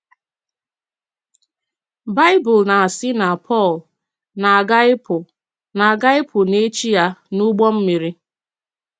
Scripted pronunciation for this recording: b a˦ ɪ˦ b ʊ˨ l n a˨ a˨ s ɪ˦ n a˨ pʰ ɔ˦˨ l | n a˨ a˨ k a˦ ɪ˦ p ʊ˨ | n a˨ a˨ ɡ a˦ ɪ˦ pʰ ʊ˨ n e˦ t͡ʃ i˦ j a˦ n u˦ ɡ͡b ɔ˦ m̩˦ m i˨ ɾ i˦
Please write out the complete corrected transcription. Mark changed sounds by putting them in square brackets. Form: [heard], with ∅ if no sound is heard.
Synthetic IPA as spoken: b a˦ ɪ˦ b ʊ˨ l n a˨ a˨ s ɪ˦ n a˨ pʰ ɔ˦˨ l | n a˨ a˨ [ɡ] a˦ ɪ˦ p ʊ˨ | n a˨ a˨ ɡ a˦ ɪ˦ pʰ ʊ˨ n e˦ t͡ʃ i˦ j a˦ n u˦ ɡ͡b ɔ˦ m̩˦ m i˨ ɾ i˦